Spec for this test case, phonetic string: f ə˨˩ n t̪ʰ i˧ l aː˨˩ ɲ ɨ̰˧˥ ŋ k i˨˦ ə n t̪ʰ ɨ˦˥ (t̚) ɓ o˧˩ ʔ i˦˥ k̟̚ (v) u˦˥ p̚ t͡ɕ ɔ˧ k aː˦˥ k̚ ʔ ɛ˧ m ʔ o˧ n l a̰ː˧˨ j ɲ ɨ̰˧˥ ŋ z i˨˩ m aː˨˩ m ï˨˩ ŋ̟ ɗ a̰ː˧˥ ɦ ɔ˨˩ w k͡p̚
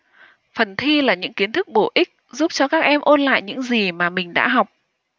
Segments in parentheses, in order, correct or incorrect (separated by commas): incorrect, incorrect